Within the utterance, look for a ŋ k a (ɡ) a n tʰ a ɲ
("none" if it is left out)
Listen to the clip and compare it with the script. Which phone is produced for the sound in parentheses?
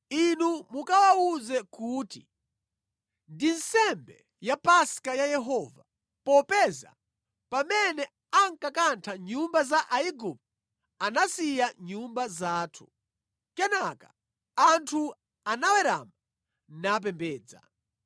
k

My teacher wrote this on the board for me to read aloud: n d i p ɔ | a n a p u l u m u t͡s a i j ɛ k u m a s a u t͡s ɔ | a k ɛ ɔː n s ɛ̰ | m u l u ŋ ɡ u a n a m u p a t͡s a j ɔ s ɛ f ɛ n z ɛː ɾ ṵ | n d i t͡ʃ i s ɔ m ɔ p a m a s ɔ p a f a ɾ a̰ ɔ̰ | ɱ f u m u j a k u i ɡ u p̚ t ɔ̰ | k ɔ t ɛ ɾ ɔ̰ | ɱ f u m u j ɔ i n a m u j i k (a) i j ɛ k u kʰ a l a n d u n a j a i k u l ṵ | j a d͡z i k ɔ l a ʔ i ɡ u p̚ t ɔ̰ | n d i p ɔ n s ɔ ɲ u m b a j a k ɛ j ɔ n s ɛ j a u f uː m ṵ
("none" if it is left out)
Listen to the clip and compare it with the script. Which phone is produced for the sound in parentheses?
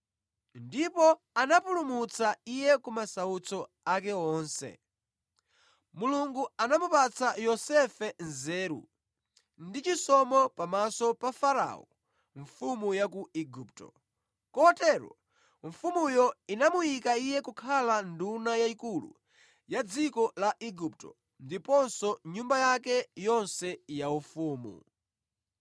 a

